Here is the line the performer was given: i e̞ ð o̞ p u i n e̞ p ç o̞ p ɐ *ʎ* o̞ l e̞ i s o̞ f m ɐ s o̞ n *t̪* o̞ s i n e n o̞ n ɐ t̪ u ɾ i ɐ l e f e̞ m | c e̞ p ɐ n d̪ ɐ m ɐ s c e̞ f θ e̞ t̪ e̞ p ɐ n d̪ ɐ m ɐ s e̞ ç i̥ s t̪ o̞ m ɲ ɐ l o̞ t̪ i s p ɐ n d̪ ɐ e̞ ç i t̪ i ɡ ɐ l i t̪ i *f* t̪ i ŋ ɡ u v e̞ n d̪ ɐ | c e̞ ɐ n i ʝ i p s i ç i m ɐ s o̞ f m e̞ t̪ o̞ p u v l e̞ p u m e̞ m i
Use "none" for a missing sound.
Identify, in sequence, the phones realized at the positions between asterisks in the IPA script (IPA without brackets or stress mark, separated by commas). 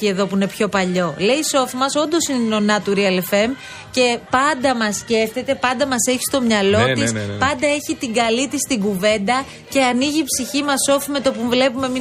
ʎ, d̪, s